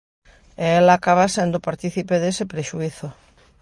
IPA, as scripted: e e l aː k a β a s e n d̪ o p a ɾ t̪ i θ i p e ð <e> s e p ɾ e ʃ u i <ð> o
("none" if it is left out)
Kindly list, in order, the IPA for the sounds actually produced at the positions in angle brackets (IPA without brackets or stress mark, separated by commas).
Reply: e, θ